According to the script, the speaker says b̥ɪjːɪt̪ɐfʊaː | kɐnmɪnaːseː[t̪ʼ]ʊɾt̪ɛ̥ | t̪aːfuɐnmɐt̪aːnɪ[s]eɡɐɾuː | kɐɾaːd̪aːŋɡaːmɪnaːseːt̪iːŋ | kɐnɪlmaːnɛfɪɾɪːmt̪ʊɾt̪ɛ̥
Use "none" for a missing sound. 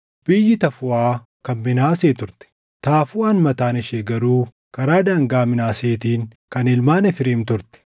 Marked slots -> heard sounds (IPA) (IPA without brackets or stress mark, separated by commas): t̪, ʃ